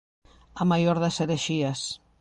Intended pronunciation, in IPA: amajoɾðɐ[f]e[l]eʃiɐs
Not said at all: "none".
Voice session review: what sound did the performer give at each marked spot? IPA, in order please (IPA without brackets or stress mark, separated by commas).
s, ɾ